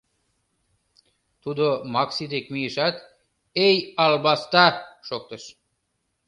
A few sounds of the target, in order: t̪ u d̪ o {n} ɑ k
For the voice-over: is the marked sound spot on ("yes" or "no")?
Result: no